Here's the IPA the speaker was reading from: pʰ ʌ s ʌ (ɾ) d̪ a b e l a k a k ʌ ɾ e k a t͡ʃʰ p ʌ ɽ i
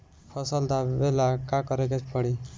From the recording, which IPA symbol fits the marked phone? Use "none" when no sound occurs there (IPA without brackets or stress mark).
l